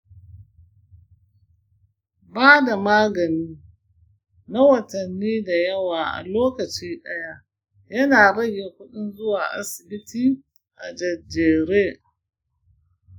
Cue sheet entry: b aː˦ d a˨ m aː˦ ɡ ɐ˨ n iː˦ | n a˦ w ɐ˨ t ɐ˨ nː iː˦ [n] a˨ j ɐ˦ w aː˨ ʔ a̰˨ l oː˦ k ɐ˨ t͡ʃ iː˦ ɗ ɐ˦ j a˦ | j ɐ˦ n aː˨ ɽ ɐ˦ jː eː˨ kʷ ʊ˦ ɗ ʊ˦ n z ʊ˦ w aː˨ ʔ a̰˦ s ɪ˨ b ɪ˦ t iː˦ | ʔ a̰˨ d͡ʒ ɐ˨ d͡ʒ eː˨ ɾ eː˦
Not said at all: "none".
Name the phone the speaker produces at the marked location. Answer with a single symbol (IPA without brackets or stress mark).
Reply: d